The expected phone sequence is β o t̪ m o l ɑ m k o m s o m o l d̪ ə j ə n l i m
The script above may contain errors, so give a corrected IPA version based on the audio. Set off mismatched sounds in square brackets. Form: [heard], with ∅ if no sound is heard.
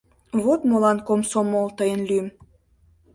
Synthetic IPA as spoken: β o t̪ m o l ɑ [n] k o m s o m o l [t̪] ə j ə n l [y] m